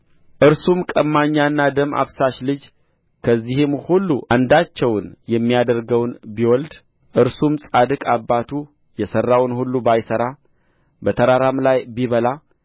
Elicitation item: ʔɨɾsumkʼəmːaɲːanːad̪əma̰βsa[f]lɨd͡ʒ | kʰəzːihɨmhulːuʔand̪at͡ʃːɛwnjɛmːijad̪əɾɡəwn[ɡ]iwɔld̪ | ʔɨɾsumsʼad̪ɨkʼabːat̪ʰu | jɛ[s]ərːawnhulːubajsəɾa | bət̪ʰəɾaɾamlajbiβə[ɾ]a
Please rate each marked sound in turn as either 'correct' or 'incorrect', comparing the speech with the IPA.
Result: incorrect: ʃ, incorrect: b, correct, incorrect: l

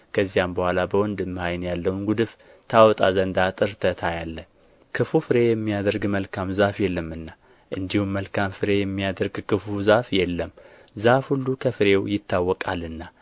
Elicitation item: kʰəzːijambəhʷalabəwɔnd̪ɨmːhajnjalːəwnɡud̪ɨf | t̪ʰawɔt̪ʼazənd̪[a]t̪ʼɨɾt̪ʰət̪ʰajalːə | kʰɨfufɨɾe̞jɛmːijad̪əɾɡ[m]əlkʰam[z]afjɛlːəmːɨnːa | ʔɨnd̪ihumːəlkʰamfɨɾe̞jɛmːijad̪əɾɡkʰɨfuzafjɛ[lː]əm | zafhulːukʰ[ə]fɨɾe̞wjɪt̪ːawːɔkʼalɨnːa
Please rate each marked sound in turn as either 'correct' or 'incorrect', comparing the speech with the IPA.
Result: correct, correct, correct, correct, correct

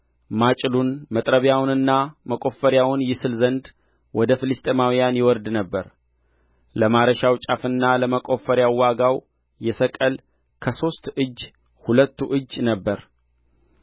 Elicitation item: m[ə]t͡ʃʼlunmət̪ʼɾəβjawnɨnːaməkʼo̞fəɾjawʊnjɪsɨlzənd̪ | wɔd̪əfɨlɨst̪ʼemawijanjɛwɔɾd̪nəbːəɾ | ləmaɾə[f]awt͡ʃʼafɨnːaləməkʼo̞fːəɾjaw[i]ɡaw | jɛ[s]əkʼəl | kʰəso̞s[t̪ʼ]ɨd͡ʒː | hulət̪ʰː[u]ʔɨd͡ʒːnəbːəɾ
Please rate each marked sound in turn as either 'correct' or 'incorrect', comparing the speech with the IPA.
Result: incorrect: a, incorrect: ʃ, incorrect: a, correct, incorrect: t̪, correct

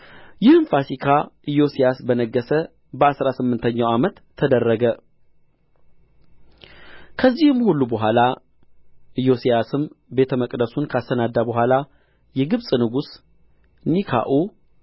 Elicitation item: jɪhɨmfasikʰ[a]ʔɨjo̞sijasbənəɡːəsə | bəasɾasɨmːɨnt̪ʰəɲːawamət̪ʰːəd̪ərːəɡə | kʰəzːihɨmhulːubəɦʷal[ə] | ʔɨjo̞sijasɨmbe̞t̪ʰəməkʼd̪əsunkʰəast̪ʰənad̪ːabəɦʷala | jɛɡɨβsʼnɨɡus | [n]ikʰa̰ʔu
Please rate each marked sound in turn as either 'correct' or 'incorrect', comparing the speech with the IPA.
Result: correct, incorrect: a, correct

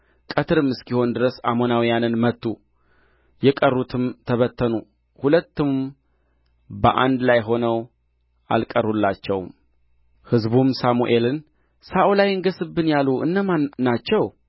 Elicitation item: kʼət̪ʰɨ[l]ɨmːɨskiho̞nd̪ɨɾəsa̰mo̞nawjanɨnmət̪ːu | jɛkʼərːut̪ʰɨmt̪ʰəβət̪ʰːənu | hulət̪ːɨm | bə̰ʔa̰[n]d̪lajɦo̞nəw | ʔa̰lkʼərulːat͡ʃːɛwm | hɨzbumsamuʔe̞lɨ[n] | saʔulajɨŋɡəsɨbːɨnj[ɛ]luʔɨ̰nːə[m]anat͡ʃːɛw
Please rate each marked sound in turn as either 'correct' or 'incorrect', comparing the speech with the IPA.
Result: incorrect: ɾ, correct, correct, incorrect: a, correct

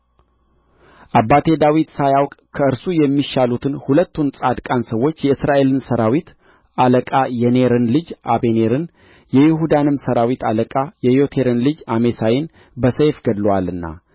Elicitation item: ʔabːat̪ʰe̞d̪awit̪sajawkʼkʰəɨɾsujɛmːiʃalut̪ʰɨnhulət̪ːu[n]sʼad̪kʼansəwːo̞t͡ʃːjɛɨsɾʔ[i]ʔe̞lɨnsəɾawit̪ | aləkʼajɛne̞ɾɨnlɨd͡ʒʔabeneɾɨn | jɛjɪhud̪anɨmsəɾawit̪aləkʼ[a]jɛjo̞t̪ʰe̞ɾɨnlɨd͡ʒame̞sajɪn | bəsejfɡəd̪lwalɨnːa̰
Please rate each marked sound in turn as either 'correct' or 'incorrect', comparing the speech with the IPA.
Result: correct, incorrect: a, correct

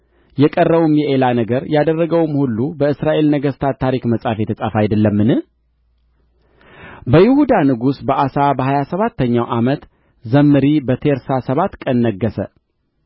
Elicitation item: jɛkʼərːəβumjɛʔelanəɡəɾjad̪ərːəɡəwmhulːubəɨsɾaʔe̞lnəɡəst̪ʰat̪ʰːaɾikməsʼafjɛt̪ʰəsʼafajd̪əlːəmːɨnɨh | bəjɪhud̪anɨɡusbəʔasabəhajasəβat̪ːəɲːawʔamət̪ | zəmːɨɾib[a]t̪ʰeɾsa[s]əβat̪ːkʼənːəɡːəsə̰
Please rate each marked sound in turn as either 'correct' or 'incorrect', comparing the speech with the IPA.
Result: incorrect: ə, correct

